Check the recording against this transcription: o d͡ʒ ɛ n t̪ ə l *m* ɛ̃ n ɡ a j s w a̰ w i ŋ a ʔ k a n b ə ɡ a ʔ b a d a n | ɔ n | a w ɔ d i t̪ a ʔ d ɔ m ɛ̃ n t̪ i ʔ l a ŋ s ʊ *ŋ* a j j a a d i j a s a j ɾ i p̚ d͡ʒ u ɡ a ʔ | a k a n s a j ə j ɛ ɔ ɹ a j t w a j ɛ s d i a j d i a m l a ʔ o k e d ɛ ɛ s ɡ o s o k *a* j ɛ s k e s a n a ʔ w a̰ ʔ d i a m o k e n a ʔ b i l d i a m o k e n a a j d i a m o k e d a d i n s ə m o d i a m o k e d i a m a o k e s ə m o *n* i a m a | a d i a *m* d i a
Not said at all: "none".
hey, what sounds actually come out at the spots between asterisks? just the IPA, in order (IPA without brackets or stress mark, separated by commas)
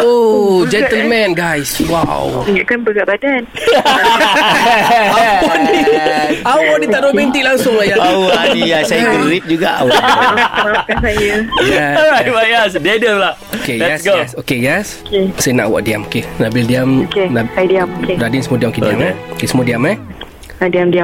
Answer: m, ŋ, e, d, m